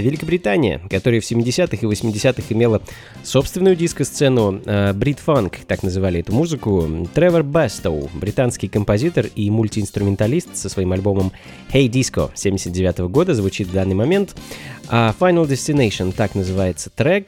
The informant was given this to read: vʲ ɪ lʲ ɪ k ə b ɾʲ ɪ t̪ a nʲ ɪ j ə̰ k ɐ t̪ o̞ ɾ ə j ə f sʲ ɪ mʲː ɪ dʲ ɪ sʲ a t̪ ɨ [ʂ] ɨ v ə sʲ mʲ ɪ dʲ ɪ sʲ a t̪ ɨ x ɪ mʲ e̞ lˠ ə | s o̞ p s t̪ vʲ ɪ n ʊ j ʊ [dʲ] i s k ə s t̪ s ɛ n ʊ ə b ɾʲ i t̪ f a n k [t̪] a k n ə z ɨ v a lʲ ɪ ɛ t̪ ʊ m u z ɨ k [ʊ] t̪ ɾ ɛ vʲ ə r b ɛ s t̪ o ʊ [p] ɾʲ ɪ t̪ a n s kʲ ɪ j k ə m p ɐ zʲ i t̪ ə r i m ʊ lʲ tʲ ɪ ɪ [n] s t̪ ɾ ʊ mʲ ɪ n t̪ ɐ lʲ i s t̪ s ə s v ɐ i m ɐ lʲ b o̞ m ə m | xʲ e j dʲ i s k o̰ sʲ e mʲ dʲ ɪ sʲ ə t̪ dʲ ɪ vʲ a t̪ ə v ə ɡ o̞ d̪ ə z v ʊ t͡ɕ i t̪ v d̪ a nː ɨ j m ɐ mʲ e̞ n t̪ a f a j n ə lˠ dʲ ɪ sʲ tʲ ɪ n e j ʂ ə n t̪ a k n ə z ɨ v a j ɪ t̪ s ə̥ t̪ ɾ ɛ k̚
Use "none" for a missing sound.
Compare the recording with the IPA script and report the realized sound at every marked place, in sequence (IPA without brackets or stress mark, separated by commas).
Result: x, dʲ, t̪, ʊ, b, n